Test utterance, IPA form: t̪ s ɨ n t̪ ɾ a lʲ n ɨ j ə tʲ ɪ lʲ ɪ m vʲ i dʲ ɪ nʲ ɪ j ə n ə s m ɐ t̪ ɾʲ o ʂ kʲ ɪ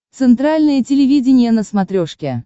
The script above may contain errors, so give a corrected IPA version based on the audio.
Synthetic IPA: t̪ s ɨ n t̪ ɾ a lʲ n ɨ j ə tʲ ɪ lʲ ɪ vʲ i dʲ ɪ nʲ ɪ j ə n ə s m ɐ t̪ ɾʲ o ʂ kʲ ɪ